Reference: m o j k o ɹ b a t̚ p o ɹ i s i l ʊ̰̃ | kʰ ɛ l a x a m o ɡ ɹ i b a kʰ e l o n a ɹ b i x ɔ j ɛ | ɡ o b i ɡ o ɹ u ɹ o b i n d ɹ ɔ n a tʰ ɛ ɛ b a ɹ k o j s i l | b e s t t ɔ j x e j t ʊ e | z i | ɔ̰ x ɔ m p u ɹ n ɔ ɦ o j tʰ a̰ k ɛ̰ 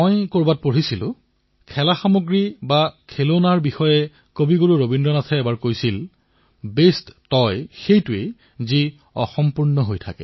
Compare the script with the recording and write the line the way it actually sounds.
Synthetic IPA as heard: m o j k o ɹ b a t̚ p o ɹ i s i l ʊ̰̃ | kʰ ɛ l a x a m o ɡ ɹ i b a kʰ e l o n a ɹ b i x ɔ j ɛ | k o b i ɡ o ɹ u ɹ o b i n d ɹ ɔ n a tʰ ɛ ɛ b a ɹ k o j s i l | b e s t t ɔ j x e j t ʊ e | z i | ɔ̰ x ɔ m p u ɹ n ɔ ɦ o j tʰ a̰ k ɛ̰